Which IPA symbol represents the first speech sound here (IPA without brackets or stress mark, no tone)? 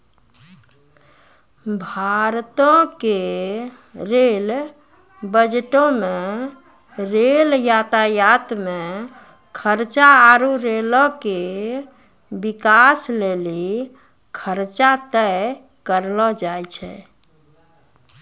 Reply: bʱ